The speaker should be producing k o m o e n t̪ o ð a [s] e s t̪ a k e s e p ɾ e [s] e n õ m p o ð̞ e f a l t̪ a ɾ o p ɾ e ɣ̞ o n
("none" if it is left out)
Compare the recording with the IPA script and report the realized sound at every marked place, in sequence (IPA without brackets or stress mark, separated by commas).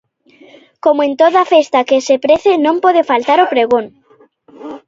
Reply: f, θ